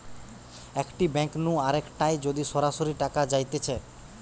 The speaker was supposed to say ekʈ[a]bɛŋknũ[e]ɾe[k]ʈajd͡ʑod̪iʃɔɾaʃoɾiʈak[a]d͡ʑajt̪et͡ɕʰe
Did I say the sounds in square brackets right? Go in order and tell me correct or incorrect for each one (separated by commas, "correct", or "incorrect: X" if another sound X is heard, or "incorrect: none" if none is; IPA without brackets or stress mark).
incorrect: i, incorrect: a, correct, correct